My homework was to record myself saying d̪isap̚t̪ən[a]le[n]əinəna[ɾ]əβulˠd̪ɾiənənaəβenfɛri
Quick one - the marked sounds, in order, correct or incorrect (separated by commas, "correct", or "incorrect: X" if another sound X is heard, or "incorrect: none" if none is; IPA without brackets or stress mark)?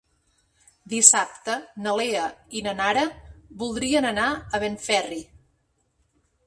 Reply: incorrect: ə, incorrect: none, correct